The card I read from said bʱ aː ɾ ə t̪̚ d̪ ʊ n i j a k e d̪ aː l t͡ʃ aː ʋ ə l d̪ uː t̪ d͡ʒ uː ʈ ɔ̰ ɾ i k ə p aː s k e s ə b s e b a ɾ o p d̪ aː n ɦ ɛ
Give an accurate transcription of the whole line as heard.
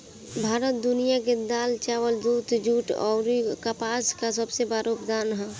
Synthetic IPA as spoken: bʱ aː ɾ ə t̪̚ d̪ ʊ n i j a k e d̪ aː l t͡ʃ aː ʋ ə l d̪ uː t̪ d͡ʒ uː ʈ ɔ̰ ɾ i k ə p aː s k a s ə b s e b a ɾ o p d̪ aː n ɦ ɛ